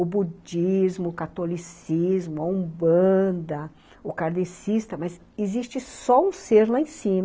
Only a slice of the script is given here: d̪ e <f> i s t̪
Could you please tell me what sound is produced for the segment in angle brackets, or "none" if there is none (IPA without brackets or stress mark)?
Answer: s